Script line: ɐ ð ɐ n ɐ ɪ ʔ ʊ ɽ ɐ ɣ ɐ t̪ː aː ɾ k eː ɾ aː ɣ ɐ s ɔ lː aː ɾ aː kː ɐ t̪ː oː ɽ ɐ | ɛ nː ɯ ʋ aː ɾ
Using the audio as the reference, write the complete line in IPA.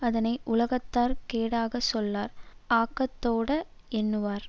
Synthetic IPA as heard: ɐ ð ɐ n ɐ ɪ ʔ ʊ l ɐ ɣ ɐ t̪ː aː ɾ k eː ɽ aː ɣ ɐ s ɔ lː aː ɾ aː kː ɐ t̪ː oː ɽ ɐ | ɛ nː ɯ ʋ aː ɾ